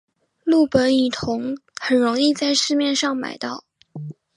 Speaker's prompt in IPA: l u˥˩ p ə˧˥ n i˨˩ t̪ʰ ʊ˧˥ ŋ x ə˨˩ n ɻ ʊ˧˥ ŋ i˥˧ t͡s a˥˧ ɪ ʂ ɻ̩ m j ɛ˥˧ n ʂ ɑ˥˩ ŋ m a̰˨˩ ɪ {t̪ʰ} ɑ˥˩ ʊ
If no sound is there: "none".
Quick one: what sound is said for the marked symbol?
t̪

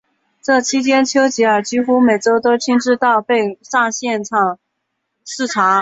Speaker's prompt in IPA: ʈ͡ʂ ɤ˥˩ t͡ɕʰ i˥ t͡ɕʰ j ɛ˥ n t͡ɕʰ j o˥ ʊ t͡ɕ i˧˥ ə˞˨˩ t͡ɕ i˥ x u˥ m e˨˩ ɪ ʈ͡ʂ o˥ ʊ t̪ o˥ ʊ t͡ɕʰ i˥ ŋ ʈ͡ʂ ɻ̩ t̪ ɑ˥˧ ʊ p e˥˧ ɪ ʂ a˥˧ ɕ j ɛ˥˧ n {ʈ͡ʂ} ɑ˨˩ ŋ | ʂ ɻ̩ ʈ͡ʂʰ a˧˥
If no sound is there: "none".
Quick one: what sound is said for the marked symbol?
ʈ͡ʂʰ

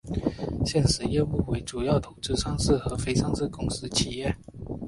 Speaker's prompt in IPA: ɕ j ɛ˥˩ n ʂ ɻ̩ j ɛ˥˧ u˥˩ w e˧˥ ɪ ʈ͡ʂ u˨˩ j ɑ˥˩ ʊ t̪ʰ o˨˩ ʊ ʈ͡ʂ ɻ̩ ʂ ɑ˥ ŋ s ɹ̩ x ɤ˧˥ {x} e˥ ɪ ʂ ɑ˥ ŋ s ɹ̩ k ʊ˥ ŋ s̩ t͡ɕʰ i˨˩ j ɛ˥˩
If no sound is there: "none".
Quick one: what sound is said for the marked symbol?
f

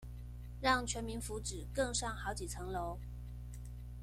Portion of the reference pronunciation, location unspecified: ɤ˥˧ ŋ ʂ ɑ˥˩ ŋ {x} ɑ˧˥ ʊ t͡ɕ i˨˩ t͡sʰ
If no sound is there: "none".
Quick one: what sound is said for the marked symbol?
x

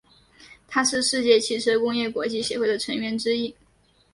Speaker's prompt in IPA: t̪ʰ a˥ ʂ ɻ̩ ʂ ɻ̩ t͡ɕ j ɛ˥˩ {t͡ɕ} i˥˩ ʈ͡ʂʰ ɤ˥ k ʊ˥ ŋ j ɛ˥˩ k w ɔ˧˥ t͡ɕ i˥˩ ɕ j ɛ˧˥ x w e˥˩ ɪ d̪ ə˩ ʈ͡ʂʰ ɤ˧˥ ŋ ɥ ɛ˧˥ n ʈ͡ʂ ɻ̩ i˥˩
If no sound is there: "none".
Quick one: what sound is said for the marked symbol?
t͡ɕʰ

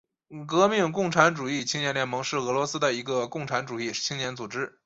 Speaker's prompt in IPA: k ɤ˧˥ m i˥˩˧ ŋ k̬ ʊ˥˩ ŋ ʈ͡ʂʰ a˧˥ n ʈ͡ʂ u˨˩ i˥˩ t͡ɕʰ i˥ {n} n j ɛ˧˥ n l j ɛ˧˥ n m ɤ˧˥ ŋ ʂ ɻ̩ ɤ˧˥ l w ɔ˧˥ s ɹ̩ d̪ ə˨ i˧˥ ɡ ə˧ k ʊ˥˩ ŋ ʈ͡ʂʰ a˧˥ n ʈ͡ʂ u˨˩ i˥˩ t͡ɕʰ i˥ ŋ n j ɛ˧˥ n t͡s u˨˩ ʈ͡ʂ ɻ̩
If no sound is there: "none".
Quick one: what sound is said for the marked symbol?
ŋ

